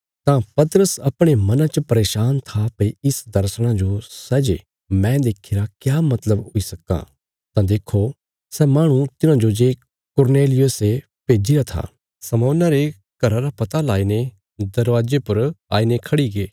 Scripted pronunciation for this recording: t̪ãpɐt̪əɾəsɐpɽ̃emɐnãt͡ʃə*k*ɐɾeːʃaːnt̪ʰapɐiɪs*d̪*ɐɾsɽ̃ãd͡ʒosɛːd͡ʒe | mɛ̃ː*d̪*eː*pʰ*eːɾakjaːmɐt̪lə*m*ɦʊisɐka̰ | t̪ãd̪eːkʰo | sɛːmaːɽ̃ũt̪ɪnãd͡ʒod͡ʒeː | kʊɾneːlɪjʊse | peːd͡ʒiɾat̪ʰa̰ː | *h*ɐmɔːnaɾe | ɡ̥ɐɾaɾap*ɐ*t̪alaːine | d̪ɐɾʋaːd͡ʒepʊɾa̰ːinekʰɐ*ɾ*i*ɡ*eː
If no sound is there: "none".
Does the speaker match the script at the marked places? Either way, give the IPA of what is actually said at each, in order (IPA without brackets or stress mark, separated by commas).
p, d̪, d̪, kʰ, b, s, ɐ, ɽ, ɡ